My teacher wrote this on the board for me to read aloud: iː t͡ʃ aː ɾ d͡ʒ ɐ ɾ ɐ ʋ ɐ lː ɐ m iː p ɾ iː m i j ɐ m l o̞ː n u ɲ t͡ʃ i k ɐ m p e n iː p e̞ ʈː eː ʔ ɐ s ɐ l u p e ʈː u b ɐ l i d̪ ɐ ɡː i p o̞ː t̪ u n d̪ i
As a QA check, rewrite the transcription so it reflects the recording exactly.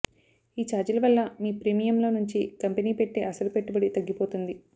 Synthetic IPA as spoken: iː t͡ʃ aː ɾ d͡ʒ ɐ l ɐ ʋ ɐ lː ɐ m iː p ɾ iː m i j ɐ m l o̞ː n u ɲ t͡ʃ i k ɐ m p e n iː p e̞ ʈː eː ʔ ɐ s ɐ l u p e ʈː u b ɐ ɽ i t̪ ɐ ɡː i p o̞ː t̪ u n d̪ i